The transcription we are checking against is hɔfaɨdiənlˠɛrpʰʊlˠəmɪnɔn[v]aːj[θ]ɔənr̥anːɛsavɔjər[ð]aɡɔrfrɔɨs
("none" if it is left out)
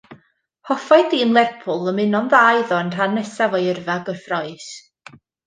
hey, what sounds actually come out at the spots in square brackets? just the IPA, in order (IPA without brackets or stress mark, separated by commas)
ð, ð, v